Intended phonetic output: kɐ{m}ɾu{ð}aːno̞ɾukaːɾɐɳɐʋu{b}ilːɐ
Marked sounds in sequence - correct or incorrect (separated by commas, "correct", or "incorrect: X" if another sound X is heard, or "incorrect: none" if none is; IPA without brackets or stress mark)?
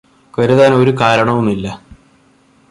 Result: incorrect: none, correct, incorrect: m